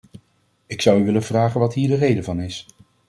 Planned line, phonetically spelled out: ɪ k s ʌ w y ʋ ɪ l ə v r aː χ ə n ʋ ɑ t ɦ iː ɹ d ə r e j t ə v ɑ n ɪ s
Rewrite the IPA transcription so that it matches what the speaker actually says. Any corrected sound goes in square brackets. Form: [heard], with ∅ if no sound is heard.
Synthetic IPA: ɪ k s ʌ w y ʋ ɪ l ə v r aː χ ə n ʋ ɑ t ɦ iː ɹ d ə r e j [d] ə v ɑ n ɪ s

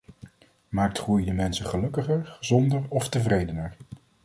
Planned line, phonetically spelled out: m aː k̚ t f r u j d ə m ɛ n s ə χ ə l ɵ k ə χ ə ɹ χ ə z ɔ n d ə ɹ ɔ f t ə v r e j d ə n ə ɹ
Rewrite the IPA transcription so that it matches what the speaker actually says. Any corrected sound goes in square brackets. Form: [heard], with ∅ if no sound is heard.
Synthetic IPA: m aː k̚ t [χ] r u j d ə m ɛ n s ə χ ə l ɵ k ə χ ə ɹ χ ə z ɔ n d ə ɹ ɔ f t ə v r e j d ə n ə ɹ

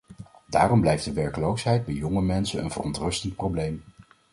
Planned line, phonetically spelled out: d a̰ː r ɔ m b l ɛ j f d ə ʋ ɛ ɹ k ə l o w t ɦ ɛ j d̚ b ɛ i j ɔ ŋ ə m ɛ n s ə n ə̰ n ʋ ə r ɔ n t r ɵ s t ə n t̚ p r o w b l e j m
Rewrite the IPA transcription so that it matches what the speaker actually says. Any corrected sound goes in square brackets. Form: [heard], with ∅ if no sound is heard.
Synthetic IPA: d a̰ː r ɔ m b l ɛ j f d ə ʋ ɛ ɹ k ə l o w [s] ɦ ɛ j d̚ b ɛ [j] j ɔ ŋ ə m ɛ n s ə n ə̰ n [v] ə r ɔ n t r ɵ s t ə n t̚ p r o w b l e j m

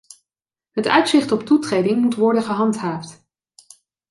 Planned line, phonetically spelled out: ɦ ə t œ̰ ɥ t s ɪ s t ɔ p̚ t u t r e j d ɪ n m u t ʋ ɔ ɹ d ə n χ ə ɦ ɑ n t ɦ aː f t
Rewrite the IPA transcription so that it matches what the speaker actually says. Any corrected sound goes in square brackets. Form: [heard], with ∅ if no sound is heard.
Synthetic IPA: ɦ ə t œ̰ ɥ t s ɪ [χ] t ɔ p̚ t u t r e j d ɪ [ŋ] m u t ʋ ɔ ɹ d ə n χ ə ɦ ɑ n t ɦ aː f t

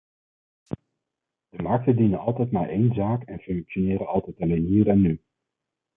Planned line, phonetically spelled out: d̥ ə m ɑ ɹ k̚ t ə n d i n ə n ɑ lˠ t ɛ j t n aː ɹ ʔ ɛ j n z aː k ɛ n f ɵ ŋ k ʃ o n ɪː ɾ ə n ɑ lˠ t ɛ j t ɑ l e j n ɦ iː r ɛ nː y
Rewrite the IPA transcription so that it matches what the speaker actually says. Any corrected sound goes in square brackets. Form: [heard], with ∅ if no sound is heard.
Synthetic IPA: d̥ ə m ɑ ɹ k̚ t ə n d i n ə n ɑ lˠ t ɛ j t [m] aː ɹ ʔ [e] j n z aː k ɛ n f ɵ ŋ k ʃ o n ɪː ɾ ə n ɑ lˠ t ɛ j t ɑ l e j n ɦ iː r ɛ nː y

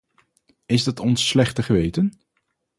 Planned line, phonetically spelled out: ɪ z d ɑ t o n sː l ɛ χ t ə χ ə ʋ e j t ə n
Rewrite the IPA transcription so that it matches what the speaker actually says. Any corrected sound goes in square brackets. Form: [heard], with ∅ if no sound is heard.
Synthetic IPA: ɪ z d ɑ t [ɔ] n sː l ɛ χ t ə χ ə ʋ e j t ə n

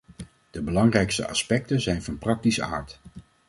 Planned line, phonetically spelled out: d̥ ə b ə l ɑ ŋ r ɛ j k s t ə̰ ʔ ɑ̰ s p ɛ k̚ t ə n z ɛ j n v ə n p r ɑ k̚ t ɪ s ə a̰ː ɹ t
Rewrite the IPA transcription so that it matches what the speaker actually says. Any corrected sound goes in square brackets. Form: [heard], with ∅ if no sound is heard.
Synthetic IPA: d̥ ə b ə l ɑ ŋ r ɛ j k s t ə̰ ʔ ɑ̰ s p ɛ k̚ t ə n z ɛ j n v [ɑ] n p r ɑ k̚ t [i] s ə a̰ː ɹ t

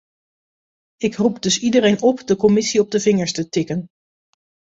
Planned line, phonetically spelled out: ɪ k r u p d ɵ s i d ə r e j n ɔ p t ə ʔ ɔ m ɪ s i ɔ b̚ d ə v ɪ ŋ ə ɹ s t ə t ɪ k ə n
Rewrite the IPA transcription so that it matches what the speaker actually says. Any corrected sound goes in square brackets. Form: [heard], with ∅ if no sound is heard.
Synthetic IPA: ɪ k r u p d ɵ s i d ə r e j n ɔ p [d] ə [k] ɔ m ɪ s i ɔ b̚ d ə v ɪ ŋ ə ɹ s t ə t ɪ k ə n

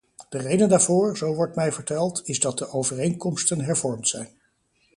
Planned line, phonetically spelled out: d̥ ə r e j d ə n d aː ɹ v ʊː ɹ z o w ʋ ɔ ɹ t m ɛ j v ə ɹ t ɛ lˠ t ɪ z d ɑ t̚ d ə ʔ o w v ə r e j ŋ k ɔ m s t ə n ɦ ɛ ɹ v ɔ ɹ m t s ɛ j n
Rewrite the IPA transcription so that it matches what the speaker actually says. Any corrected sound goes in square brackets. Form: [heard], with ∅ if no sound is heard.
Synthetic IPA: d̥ ə r e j d ə n d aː ɹ v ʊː ɹ z o w ʋ ɔ ɹ t m ɛ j v ə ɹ t ɛ lˠ t ɪ z d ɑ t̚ d ə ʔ o w v ə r e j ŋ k ɔ m s t ə n ɦ ɛ ɹ v ɔ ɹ m t s ɛ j n

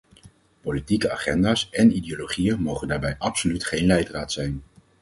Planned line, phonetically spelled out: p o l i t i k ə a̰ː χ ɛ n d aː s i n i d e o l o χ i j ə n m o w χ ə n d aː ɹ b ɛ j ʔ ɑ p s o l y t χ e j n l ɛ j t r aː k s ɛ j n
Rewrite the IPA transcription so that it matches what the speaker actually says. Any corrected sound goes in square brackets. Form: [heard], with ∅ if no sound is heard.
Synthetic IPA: p o l i t i k ə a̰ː χ ɛ n d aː s [ɛ] n i d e o l o χ i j ə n m o w χ ə n d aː ɹ b ɛ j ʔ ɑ p s o l y t χ e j n l ɛ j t r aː [t] s ɛ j n

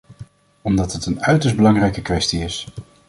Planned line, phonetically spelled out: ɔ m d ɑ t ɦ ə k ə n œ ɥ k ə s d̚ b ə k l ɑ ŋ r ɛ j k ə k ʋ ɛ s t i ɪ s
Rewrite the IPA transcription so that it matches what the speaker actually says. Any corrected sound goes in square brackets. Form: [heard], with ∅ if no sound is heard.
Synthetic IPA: ɔ m d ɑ t ɦ ə [t] ə n œ ɥ [t] ə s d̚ b ə [∅] l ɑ ŋ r ɛ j k ə k ʋ ɛ s t i ɪ s

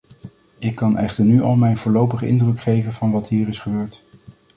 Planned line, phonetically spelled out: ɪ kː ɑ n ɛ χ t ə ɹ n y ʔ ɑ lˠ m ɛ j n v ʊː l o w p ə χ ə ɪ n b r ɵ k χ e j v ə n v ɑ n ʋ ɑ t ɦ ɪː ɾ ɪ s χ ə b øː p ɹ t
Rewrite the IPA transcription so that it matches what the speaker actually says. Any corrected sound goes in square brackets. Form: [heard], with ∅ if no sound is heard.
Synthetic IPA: ɪ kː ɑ n ɛ χ t ə ɹ n y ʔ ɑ lˠ m ɛ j n v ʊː l o w p ə χ ə ɪ n [d] r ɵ k χ e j v ə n v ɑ n ʋ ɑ t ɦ [iː] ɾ ɪ s χ ə b øː [∅] ɹ t

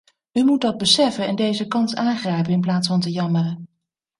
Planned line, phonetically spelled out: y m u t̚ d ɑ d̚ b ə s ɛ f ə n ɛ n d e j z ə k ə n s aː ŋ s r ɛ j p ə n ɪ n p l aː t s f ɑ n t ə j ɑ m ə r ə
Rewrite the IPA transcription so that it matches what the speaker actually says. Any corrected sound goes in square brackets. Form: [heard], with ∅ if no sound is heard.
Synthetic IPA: y m u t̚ d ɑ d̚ b ə s ɛ f ə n ɛ n d e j z ə k [ɑ] n s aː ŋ [χ] r ɛ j p ə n ɪ n p l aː t s f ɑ n t ə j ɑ m ə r ə

